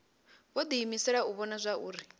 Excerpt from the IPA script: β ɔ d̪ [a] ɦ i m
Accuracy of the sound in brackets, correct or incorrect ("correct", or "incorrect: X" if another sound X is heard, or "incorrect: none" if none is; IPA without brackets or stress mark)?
incorrect: i